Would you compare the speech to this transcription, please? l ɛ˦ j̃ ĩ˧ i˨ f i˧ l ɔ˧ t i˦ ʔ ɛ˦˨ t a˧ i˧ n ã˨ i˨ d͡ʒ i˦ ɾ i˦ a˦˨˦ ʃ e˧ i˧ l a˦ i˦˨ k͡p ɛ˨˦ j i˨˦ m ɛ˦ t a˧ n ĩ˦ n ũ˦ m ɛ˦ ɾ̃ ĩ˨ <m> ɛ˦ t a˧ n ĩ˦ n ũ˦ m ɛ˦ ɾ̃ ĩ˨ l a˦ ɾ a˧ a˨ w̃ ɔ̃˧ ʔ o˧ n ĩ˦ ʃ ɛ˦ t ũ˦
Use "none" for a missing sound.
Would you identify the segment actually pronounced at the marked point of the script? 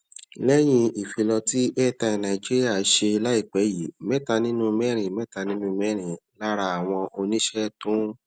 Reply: m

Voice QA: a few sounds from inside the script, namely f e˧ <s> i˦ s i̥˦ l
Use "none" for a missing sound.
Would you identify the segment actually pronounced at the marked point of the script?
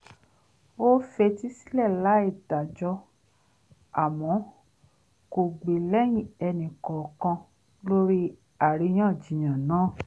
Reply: t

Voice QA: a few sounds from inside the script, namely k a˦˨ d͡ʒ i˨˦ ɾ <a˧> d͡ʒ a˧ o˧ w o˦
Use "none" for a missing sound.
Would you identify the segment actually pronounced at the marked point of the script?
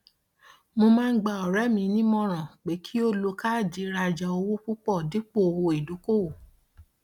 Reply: a˧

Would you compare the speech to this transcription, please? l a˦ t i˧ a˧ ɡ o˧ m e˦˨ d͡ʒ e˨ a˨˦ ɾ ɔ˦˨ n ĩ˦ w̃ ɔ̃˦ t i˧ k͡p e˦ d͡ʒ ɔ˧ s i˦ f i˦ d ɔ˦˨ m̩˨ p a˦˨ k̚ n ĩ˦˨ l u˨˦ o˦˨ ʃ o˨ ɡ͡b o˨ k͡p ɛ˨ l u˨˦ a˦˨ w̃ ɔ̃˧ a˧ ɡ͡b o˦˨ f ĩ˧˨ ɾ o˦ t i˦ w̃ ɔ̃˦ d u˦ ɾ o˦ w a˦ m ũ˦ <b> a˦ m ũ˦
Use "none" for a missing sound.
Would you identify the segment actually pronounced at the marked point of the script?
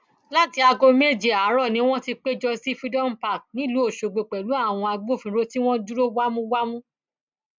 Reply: w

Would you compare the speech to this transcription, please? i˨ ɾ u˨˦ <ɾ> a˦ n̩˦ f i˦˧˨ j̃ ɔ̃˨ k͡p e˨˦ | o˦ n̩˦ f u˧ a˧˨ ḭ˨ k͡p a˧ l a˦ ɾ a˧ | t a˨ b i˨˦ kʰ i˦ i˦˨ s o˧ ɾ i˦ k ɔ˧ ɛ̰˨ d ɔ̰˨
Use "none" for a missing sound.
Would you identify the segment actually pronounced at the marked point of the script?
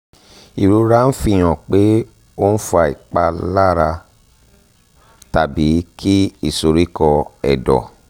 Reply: ɾ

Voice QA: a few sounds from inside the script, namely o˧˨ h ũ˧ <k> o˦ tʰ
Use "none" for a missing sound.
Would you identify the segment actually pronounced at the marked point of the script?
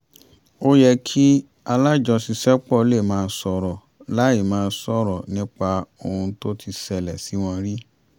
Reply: t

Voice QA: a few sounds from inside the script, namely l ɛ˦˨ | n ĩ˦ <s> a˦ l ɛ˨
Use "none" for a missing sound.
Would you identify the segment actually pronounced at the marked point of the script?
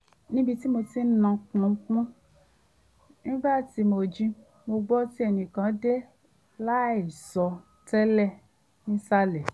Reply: s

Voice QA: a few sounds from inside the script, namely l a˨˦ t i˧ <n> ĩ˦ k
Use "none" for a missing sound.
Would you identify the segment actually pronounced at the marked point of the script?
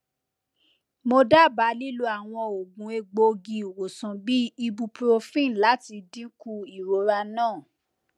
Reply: d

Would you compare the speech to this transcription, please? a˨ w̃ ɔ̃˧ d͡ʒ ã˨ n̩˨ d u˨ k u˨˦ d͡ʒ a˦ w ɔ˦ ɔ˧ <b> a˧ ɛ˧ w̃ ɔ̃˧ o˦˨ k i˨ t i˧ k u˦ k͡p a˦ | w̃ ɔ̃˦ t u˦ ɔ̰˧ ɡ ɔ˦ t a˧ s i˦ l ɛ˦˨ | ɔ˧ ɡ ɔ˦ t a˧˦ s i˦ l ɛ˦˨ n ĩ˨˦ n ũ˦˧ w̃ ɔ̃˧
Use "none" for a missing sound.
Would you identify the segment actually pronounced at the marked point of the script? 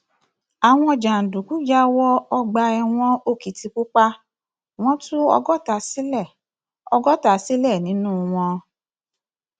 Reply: ɡ͡b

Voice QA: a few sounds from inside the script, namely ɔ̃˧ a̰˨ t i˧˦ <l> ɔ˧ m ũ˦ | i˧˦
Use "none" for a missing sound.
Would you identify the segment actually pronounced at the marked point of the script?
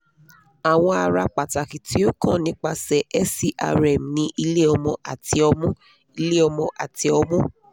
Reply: none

